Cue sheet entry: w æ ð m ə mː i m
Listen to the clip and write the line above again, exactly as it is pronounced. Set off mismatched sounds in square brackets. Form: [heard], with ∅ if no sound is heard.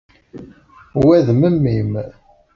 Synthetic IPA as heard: w æ ð m ə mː i m